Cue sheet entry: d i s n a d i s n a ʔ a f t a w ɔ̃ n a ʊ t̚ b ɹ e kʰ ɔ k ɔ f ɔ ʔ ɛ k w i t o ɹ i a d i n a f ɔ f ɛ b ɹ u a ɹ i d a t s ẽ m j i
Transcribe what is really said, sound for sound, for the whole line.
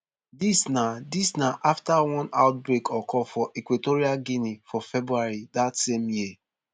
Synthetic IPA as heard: d i s n a d i s n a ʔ a f t a w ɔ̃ n a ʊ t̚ b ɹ e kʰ ɔ k ɔ f ɔ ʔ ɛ k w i t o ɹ i a ɡ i n i f ɔ f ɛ b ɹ u a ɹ i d a t s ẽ m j i